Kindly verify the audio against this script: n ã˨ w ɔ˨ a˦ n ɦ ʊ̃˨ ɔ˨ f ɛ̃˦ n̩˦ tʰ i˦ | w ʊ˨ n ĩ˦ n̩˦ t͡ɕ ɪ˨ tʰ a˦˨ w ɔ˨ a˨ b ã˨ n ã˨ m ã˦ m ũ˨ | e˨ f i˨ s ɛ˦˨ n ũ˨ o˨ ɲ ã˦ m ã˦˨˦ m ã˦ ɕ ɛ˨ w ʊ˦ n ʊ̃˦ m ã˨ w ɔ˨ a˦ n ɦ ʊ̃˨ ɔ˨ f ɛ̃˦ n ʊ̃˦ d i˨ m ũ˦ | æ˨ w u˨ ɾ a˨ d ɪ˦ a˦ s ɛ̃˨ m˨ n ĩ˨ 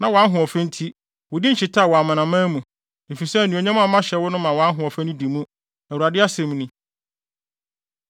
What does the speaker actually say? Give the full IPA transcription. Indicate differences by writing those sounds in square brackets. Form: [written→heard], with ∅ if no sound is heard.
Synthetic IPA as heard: n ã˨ w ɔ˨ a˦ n ɦ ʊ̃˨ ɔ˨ f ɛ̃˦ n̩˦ tʰ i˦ | w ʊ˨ [n→d] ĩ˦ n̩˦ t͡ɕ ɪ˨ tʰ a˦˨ w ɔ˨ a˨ [b→m] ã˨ n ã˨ m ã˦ m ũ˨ | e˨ f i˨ s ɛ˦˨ n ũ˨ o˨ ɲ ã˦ m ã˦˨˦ m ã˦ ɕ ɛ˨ w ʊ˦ n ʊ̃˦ m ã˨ w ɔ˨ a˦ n ɦ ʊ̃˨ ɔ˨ f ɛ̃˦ n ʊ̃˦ d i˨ m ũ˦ | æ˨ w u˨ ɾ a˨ d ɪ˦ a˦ s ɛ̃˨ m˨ n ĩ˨

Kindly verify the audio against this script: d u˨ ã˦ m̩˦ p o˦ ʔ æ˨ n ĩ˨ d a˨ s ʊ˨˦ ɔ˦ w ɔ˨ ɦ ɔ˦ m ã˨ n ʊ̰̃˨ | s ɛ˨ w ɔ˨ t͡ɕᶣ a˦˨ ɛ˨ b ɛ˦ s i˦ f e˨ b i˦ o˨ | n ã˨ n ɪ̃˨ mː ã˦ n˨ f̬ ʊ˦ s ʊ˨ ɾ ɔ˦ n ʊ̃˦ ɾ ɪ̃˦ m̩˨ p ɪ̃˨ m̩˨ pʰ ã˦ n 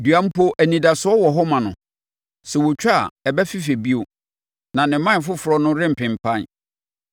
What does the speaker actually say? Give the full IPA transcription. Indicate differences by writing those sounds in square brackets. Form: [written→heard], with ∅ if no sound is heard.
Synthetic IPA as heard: d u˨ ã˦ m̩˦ p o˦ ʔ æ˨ n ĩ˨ d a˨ s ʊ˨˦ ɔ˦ w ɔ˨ ɦ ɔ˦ m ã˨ n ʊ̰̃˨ | s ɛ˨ w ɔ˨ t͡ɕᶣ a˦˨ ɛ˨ b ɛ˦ [s→f] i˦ f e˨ b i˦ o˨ | n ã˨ n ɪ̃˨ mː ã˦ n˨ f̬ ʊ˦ [s→f] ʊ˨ ɾ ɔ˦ n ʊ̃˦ ɾ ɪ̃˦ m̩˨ p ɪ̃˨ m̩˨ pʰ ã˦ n

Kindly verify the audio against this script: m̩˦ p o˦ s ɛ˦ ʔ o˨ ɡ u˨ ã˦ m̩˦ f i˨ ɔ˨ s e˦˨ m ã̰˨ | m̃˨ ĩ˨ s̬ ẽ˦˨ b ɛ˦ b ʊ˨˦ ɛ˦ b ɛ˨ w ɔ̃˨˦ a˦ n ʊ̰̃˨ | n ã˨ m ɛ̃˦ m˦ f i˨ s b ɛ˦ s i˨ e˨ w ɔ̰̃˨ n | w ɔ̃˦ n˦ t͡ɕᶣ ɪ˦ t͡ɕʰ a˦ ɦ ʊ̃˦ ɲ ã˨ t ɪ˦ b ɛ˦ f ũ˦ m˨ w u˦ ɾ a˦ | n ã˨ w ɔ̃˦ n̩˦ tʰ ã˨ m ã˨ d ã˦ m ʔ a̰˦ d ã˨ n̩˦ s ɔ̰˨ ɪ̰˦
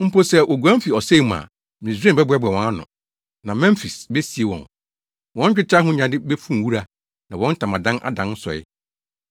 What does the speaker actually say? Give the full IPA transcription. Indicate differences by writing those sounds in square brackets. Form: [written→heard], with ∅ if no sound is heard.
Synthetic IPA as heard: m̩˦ p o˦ s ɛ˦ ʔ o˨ ɡ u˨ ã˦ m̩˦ f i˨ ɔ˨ s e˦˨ m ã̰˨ | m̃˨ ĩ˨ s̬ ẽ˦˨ b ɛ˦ b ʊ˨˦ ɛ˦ b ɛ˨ w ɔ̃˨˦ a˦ n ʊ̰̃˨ | n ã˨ m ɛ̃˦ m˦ f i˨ s b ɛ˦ s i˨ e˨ w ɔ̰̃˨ n | w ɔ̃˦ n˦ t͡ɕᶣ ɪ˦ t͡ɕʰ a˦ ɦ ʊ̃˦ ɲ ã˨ [t→d] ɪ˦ b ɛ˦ f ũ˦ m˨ w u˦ ɾ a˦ | n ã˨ w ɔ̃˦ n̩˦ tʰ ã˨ m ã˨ d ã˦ [m→n] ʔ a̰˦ d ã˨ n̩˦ s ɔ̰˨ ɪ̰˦

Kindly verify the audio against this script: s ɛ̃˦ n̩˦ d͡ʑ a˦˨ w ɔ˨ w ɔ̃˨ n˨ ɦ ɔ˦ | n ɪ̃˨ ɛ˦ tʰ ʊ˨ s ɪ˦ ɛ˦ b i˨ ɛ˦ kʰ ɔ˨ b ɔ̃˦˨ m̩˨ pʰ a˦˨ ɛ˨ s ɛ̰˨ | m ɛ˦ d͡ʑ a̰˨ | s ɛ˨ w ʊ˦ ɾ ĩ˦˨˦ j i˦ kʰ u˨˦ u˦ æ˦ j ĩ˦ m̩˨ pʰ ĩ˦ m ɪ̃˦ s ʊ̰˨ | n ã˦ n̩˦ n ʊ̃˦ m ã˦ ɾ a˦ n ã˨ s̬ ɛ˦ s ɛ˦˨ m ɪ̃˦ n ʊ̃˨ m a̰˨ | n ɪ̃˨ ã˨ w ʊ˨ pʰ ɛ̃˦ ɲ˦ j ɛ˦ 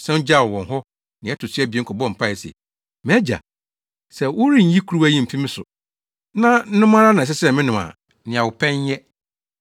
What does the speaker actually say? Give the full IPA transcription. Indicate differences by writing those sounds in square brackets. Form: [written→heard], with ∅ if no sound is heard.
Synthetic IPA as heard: s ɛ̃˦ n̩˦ d͡ʑ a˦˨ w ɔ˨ w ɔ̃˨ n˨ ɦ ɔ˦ | n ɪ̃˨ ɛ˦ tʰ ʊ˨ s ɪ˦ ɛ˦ b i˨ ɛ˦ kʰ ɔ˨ b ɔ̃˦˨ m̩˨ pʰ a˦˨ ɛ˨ s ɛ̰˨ | m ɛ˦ d͡ʑ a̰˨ | s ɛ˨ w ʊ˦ ɾ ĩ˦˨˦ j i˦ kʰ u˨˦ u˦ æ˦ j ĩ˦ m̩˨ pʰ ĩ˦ m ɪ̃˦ s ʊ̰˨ | n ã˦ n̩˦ n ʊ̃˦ m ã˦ ɾ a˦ n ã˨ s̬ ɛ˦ s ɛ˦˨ m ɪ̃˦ n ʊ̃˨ m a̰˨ | n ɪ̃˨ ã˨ w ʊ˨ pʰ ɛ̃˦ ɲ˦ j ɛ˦

